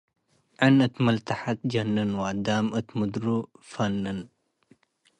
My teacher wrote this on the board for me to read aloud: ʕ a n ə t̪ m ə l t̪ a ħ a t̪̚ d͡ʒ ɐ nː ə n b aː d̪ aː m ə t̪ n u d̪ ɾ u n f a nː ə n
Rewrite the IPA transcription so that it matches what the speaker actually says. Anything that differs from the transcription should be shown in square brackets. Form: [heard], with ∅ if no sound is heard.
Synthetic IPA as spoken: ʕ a n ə t̪ m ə l t̪ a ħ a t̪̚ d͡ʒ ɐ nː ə n [w] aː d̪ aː m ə t̪ [m] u d̪ ɾ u [∅] f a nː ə n